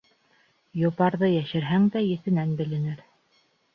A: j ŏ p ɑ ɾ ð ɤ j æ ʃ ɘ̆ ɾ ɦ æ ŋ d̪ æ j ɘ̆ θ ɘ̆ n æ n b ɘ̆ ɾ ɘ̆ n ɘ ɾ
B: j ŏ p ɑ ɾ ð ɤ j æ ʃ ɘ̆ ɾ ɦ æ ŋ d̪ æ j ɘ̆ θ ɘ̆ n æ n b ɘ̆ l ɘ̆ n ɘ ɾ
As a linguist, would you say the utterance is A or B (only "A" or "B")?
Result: B